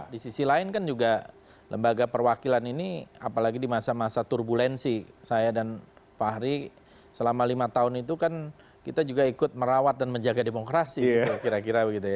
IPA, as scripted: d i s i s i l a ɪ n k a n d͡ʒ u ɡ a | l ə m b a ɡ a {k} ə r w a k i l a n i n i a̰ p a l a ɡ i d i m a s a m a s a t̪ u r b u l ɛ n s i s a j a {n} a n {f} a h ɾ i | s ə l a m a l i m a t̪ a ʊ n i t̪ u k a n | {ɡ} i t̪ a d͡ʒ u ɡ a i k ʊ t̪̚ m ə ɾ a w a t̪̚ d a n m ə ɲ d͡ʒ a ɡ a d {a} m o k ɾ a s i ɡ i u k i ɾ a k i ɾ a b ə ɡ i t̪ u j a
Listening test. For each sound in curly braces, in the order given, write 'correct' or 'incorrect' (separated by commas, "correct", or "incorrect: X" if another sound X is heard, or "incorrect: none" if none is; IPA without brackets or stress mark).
incorrect: p, incorrect: d, correct, incorrect: k, incorrect: e